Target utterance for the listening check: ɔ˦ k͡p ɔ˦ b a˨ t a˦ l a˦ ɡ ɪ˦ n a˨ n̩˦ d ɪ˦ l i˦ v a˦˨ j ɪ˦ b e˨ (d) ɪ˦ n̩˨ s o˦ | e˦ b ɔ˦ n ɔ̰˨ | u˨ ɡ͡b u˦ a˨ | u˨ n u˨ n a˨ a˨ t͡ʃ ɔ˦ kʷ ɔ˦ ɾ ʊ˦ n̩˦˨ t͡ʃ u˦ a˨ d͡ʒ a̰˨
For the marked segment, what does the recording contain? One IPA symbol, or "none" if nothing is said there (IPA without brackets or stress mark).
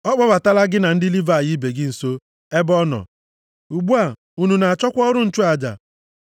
ɡ